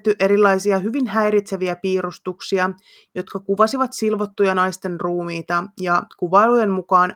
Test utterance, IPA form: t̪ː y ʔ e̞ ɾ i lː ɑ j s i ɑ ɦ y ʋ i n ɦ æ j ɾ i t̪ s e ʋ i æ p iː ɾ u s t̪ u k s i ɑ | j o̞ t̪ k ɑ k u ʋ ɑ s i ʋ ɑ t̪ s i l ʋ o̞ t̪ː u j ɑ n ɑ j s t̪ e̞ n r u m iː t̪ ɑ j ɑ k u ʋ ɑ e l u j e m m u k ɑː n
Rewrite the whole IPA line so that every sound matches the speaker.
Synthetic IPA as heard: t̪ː y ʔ e̞ ɾ i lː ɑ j s i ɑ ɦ y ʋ i n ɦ æ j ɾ i t̪ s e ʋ i æ p iː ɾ u s t̪ u k s i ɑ | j o̞ t̪ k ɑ k u ʋ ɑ s i ʋ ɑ t̪ s i l ʋ o̞ t̪ː u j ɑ n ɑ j s t̪ e̞ n r uː m iː t̪ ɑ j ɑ k u ʋ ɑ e l u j e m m u k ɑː n